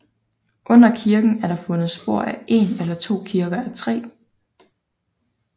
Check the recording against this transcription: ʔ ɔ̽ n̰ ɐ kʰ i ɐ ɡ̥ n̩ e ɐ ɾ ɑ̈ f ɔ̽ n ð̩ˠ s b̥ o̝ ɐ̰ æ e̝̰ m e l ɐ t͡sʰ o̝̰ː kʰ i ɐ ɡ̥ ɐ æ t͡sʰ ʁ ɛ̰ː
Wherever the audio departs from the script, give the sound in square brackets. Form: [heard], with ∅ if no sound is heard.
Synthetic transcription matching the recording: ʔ ɔ̽ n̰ ɐ kʰ i ɐ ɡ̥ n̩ [æ] ɐ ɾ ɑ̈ f ɔ̽ n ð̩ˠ s b̥ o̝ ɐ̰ æ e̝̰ [n] e l ɐ t͡sʰ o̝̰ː kʰ i ɐ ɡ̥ ɐ æ t͡sʰ ʁ ɛ̰ː

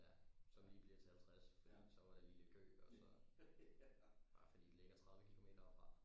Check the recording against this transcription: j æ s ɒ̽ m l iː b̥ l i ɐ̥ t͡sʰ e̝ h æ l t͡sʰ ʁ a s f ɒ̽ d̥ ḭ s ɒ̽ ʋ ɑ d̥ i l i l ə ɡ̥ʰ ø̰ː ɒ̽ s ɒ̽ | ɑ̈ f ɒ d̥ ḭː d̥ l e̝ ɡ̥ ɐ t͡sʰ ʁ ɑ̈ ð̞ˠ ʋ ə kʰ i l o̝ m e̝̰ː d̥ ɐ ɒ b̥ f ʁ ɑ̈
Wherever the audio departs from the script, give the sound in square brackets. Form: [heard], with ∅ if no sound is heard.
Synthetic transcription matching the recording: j æ s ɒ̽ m l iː b̥ l i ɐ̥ t͡sʰ e̝ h æ l t͡sʰ ʁ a s f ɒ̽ d̥ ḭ s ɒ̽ ʋ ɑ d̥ [e] l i l ə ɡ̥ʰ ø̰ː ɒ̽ s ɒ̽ | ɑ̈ f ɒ d̥ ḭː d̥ l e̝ ɡ̥ ɐ t͡sʰ ʁ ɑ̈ ð̞ˠ ʋ ə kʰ i l o̝ m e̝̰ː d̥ ɐ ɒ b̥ f ʁ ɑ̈

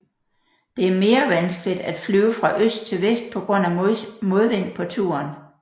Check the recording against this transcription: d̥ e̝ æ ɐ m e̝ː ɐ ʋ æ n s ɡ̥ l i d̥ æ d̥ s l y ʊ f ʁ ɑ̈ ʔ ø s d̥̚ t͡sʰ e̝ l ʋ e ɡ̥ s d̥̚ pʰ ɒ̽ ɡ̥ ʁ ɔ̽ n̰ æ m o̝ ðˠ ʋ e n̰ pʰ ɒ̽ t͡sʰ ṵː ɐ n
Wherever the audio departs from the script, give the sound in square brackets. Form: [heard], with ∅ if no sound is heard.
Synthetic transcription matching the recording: d̥ e̝ æ ɐ m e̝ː ɐ ʋ æ n s ɡ̥ l i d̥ æ d̥ [f] l y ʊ f ʁ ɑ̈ ʔ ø s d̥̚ t͡sʰ e̝ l ʋ e [∅] s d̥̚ pʰ ɒ̽ ɡ̥ ʁ ɔ̽ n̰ æ m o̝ ðˠ ʋ e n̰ pʰ ɒ̽ t͡sʰ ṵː ɐ n

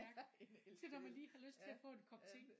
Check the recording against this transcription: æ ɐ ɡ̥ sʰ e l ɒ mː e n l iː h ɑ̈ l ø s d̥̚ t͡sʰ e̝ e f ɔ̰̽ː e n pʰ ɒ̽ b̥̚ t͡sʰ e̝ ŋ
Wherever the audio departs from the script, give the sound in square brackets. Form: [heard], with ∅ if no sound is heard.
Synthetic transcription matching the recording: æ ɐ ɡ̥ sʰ e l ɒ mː [æ] n l iː h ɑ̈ l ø s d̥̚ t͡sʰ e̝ [æ] f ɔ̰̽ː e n [kʰ] ɒ̽ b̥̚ t͡sʰ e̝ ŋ

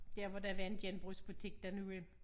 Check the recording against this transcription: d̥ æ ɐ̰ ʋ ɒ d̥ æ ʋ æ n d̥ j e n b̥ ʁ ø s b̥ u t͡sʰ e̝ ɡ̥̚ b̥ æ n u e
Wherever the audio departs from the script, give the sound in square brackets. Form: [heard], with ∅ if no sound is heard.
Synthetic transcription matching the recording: d̥ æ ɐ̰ ʋ ɒ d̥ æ ʋ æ n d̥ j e n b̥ ʁ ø s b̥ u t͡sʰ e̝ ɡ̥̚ [d̥] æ n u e

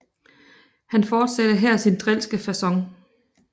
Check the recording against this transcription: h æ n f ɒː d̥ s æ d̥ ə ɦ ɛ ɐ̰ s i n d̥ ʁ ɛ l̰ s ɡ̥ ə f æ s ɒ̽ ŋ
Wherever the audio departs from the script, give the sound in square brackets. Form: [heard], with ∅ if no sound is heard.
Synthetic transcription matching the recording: h æ n f ɒː d̥ s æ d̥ ə ɦ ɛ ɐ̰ s i n d̥ ʁ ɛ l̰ s ɡ̥ ə f æ s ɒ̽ ŋ

